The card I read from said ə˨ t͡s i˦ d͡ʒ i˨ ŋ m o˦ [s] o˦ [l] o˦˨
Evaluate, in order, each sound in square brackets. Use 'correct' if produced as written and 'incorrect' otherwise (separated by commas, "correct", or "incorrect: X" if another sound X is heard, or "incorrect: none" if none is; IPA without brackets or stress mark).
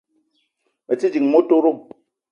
incorrect: t, incorrect: ɾ